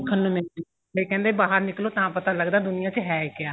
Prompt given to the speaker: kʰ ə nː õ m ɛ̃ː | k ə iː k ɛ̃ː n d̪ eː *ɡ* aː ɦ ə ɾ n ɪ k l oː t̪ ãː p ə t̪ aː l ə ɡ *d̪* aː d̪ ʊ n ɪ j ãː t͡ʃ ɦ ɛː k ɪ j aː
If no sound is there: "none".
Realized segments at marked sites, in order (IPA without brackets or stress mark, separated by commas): b, d̪